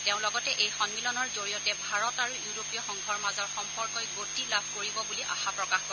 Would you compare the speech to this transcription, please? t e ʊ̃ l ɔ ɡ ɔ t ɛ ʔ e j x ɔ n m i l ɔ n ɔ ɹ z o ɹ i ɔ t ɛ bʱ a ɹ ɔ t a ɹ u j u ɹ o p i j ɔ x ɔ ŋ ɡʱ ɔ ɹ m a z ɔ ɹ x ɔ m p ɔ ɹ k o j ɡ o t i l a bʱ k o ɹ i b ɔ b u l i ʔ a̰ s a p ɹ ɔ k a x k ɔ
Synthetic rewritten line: t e ʊ̃ l ɔ ɡ ɔ t ɛ ʔ e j x ɔ n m i l ɔ n ɔ ɹ z o ɹ i ɔ t ɛ bʱ a ɹ ɔ t a ɹ u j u ɹ o p i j ɔ x ɔ ŋ ɡʱ ɔ ɹ m a z ɔ ɹ x ɔ m p ɔ ɹ k ɔ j ɡ o t i l a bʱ k o ɹ i b ɔ b u l i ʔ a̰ x a p ɹ ɔ k a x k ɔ